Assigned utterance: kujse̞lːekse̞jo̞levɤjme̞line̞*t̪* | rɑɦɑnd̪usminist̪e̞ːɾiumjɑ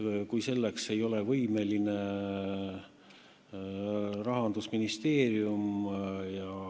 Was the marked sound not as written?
yes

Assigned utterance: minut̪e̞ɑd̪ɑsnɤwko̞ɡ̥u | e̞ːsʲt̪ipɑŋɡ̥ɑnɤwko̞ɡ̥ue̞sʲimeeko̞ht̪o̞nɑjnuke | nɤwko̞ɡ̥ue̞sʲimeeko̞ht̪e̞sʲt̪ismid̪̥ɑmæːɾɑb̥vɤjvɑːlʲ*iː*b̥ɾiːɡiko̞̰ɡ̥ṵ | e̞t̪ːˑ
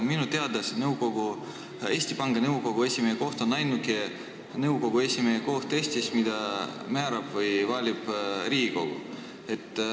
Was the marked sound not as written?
yes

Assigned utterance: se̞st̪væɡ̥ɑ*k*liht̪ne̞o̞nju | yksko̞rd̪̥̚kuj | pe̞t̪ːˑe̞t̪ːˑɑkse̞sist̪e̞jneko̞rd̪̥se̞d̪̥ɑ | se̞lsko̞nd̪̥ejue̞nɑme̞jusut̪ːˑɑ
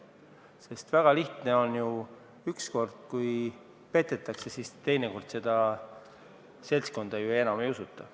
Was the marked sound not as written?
yes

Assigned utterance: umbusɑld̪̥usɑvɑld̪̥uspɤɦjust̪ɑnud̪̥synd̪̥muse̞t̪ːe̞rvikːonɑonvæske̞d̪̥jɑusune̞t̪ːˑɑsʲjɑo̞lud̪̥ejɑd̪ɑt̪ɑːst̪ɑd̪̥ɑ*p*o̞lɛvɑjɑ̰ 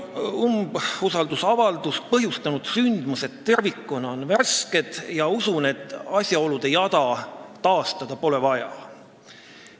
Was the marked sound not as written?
no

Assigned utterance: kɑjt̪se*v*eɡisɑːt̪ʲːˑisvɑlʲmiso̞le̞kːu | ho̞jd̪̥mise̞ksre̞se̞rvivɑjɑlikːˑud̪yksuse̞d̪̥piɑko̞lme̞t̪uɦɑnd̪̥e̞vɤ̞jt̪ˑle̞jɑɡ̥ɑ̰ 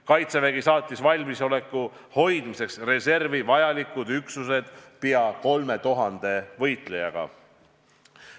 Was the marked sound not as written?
no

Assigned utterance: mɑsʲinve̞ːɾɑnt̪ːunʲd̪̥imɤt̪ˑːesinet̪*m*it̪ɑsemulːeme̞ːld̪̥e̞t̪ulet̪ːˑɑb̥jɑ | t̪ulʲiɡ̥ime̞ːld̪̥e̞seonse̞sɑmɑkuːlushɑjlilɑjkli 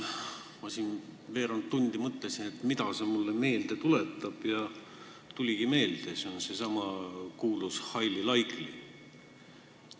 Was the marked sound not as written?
no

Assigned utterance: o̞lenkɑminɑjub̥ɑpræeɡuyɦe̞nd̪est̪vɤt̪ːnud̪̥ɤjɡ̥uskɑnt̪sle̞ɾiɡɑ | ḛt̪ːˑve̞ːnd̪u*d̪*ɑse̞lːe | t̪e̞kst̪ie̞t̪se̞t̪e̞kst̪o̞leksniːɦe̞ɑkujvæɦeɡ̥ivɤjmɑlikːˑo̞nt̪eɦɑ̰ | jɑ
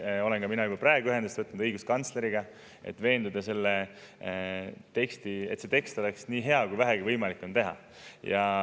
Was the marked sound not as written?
no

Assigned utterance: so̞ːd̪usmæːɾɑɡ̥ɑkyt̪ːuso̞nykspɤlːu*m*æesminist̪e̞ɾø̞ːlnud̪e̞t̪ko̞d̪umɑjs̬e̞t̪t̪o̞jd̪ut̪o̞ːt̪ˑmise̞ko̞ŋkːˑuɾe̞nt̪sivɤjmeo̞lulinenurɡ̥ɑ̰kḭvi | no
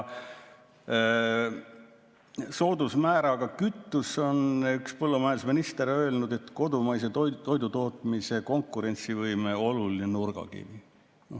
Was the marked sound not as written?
no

